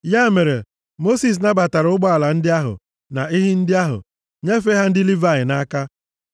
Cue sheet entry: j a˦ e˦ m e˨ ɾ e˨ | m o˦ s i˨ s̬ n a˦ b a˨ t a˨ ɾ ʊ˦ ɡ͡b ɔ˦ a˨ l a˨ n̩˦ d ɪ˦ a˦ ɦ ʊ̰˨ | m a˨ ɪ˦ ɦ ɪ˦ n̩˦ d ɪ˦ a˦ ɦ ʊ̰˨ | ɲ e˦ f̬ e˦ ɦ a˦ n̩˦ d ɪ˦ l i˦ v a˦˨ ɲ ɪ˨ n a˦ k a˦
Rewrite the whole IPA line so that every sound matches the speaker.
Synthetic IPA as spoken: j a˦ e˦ m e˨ ɾ e˨ | m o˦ s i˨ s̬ n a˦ b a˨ t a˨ ɾ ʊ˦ ɡ͡b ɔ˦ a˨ l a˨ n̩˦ d ɪ˦ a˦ ɦ ʊ̰˨ | n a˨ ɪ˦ ɦ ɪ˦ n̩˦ d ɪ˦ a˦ ɦ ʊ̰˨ | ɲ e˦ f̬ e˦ ɦ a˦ n̩˦ d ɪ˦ l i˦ v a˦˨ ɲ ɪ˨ n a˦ k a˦